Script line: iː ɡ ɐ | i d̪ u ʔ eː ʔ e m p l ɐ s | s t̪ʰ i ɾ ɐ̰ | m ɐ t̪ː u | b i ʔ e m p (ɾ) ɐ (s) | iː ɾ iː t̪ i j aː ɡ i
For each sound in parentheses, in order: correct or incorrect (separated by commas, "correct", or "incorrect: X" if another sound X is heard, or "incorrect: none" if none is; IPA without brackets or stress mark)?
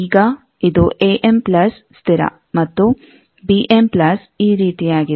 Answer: incorrect: l, correct